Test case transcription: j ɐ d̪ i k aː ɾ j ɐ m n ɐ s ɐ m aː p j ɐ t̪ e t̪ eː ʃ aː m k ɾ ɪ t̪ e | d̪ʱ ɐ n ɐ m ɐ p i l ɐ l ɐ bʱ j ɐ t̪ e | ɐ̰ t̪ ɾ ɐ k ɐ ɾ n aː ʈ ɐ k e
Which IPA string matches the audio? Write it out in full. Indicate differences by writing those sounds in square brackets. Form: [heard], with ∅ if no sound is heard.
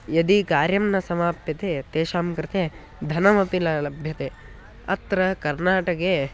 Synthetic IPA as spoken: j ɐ d̪ i k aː ɾ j ɐ m n ɐ s ɐ m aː p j ɐ t̪ e t̪ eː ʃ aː m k ɾ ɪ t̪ e | d̪ʱ ɐ n ɐ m ɐ p i l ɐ l ɐ bʱ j ɐ t̪ e | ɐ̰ t̪ ɾ ɐ k ɐ ɾ n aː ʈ ɐ k e